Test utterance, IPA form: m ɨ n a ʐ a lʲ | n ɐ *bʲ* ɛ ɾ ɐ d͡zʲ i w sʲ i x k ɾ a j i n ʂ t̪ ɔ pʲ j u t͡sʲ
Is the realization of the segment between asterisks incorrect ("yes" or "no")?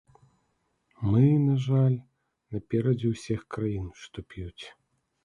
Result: yes